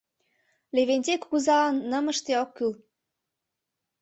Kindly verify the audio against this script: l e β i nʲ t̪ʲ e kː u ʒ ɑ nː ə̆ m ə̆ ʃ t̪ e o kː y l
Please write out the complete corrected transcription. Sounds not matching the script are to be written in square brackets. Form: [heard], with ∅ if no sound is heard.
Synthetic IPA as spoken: l e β [e] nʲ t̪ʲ e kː u [z] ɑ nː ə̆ m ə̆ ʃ t̪ e o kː y l